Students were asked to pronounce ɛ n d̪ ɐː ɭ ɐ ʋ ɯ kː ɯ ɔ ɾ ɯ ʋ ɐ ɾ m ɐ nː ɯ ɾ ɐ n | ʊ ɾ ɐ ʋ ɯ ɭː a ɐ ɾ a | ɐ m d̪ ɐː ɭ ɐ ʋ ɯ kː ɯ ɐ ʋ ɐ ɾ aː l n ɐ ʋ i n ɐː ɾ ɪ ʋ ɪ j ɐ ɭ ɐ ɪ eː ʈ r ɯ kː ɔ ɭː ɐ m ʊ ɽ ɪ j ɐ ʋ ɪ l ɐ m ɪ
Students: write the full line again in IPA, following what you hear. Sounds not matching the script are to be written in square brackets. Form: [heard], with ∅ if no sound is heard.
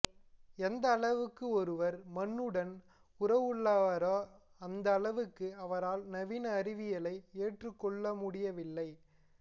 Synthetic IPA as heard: ɛ n d̪ ɐː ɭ ɐ ʋ ɯ kː ɯ ɔ ɾ ɯ ʋ ɐ ɾ m ɐ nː ɯ [ɽ] ɐ n | ʊ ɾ ɐ ʋ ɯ ɭː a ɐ ɾ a | ɐ [n] d̪ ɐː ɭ ɐ ʋ ɯ kː ɯ ɐ ʋ ɐ ɾ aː l n ɐ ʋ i n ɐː ɾ ɪ ʋ ɪ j ɐ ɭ ɐ ɪ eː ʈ r ɯ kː ɔ ɭː ɐ m ʊ ɽ ɪ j ɐ ʋ ɪ [lː] ɐ [∅] ɪ